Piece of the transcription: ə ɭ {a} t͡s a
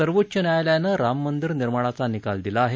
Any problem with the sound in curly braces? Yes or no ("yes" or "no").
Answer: no